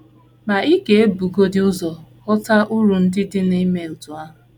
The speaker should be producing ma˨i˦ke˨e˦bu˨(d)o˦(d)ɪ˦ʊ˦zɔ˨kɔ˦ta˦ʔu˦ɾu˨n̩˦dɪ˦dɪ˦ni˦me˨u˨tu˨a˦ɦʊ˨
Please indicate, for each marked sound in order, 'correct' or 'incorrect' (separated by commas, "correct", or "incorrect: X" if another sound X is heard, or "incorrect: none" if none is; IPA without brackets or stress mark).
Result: incorrect: ɡ, correct